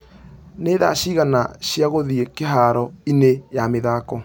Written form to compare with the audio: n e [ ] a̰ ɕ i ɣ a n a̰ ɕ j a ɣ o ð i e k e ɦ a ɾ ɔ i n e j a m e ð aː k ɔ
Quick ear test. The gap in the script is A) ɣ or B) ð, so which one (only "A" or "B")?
B